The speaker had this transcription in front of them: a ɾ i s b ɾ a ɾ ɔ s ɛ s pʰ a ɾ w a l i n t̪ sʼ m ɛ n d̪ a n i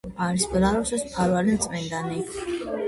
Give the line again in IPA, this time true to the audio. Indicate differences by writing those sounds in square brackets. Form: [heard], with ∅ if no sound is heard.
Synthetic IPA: a ɾ i s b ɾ a ɾ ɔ s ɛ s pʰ a ɾ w a l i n t̪ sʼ m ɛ n d̪ a n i